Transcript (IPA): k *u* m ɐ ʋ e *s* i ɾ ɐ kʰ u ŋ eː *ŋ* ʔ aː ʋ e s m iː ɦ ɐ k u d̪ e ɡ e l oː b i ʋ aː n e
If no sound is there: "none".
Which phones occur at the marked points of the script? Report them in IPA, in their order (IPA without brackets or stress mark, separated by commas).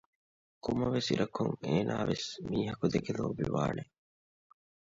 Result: u, s, n